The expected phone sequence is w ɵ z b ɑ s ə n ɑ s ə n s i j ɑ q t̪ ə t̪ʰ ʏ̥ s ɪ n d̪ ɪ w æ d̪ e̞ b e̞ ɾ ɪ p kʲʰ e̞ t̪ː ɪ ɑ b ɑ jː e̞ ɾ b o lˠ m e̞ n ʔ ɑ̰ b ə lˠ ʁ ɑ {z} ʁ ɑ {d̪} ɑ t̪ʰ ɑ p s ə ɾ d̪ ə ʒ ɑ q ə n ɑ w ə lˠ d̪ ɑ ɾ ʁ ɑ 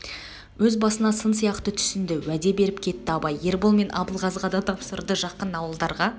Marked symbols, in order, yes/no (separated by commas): yes, yes